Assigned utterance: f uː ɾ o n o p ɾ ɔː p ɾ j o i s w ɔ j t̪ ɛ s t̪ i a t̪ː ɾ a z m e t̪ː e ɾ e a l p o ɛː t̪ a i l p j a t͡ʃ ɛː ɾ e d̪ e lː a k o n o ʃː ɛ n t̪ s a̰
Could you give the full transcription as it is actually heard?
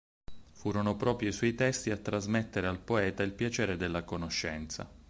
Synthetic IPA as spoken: f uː ɾ o n o p ɾ ɔː p ɾ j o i s w ɔ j t̪ ɛ s t̪ i a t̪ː ɾ a z m e t̪ː e ɾ e a l p o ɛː t̪ a i l p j a t͡ʃ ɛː ɾ e d̪ e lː a k o n o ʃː ɛ n t̪ s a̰